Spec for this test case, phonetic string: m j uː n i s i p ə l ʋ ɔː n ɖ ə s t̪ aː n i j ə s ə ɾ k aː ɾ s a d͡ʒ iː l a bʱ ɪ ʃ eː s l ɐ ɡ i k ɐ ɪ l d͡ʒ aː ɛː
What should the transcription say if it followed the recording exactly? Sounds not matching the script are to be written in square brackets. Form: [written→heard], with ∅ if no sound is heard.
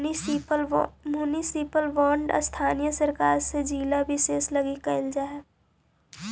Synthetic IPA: m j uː n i s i p ə l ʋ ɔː [n→ɳ] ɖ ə s [t̪→t̪ʰ] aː n i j ə s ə ɾ k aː ɾ s [a→e] d͡ʒ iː l a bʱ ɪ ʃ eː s l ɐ ɡ i k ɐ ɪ l d͡ʒ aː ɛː

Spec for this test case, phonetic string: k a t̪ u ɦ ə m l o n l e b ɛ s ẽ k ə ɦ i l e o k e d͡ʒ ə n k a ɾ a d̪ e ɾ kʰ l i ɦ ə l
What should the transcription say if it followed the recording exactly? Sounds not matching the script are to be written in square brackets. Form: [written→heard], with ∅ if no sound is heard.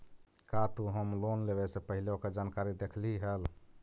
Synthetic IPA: k a t̪ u ɦ ə m l o n l e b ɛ s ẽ [k→p] ə ɦ i l e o k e d͡ʒ [ə→a] n k a ɾ [a→i] d̪ e [ɾ→∅] kʰ l i ɦ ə l

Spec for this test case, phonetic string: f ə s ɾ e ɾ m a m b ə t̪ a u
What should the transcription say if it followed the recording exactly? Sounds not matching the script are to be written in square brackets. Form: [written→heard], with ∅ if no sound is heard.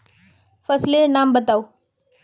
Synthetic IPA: f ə s [ɾ→l] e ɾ [m→n] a m b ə t̪ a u

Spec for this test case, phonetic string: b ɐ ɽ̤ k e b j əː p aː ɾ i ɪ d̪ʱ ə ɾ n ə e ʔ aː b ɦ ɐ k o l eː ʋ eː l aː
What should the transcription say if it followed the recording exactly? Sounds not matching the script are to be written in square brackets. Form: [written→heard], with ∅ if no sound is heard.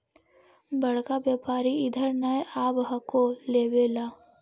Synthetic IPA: b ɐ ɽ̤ k [e→a] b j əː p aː ɾ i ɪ d̪ʱ ə ɾ n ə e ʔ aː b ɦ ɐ k o l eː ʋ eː l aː

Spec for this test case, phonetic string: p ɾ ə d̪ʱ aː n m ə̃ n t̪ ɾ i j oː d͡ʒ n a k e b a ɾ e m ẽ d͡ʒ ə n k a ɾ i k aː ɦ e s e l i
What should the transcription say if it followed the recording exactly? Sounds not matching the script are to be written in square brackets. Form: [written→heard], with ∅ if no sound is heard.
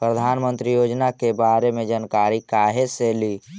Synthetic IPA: p ɾ ə d̪ʱ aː n m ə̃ n t̪ ɾ i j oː d͡ʒ n a k e b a ɾ e m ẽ d͡ʒ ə n k a ɾ i k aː ɦ e s e l i

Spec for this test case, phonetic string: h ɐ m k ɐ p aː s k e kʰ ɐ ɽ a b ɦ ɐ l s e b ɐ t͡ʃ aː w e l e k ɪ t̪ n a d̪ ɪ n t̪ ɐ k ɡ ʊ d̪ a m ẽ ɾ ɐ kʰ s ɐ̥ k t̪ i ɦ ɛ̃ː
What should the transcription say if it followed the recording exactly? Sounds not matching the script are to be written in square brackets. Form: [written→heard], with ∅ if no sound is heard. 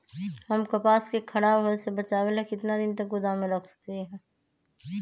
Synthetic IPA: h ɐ m k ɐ p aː s k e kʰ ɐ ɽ a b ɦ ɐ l s e b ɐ t͡ʃ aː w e l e k ɪ t̪ n a d̪ ɪ n t̪ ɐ k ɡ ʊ d̪ a m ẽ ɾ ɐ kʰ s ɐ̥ k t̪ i ɦ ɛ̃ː

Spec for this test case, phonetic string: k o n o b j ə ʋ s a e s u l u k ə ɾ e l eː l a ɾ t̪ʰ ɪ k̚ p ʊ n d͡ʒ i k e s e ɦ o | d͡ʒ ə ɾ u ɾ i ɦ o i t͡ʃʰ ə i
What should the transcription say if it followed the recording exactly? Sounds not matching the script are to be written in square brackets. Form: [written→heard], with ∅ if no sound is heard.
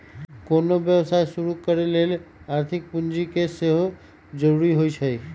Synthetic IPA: k o n o b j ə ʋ s a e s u [l→ɾ] u k ə ɾ e l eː l a ɾ t̪ʰ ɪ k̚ p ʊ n d͡ʒ i k e s e ɦ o | d͡ʒ ə ɾ u ɾ i ɦ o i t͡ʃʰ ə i

